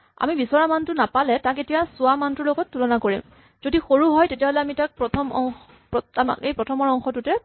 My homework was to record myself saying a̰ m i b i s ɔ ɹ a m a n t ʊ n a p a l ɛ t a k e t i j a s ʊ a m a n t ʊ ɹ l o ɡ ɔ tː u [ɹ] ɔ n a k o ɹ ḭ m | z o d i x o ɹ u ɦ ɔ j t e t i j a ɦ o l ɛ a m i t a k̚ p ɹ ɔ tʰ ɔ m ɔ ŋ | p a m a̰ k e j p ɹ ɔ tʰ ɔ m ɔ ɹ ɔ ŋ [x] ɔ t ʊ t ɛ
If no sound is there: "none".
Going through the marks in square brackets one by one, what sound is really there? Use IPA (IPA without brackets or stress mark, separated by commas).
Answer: l, x